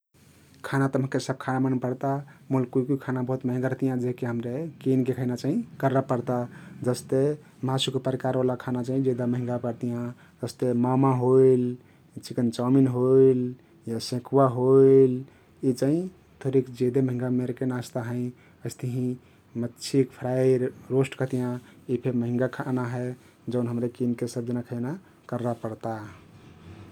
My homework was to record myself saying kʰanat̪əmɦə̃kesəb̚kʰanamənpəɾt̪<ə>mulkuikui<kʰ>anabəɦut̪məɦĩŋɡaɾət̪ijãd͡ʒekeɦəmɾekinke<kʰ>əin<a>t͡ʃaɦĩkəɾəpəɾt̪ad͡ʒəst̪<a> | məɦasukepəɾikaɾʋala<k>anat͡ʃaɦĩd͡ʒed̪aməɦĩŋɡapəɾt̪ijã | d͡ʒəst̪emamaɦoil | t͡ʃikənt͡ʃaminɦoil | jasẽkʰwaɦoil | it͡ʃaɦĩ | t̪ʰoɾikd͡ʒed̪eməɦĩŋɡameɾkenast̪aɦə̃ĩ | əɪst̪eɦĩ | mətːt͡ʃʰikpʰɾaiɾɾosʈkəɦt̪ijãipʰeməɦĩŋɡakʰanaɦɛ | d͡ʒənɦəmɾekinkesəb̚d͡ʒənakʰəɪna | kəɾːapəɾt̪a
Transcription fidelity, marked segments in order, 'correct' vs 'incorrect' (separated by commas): incorrect, correct, correct, correct, incorrect, incorrect